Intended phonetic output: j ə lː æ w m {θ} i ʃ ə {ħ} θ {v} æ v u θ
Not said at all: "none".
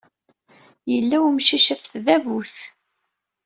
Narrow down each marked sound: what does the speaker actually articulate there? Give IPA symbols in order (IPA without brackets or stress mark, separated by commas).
ʃ, f, ð